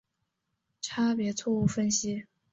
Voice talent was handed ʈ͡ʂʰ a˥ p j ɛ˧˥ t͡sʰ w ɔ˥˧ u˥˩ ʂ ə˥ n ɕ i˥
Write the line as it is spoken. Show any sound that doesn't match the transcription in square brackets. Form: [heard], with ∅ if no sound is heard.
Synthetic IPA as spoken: ʈ͡ʂʰ a˥ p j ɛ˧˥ t͡sʰ w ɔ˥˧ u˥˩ [f] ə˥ n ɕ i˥